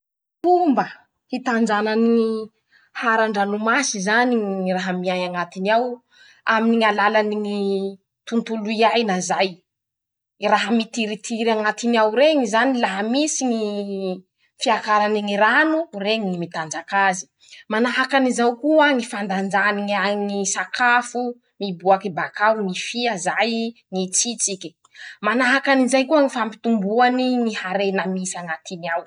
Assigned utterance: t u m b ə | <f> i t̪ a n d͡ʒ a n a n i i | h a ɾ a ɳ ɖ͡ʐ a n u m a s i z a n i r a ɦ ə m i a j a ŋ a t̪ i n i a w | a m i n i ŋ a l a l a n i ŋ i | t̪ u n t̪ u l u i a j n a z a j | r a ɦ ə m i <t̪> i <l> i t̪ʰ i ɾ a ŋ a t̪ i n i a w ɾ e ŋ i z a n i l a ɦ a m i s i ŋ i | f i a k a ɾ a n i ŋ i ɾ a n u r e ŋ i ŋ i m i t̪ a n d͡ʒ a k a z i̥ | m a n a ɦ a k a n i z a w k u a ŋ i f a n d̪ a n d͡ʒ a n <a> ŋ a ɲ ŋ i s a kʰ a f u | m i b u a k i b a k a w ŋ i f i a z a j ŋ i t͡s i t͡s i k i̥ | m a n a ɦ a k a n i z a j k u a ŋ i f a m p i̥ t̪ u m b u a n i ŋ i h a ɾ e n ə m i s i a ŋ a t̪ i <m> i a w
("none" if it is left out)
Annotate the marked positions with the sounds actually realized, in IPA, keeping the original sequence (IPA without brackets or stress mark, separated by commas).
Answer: h, t̪, ɾ, i, n